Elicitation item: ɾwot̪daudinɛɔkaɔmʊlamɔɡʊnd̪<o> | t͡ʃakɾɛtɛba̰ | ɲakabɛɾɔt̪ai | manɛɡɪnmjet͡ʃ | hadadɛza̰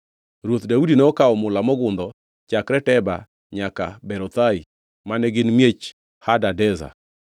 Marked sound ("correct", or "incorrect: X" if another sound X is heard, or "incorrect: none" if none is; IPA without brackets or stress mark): incorrect: ɔ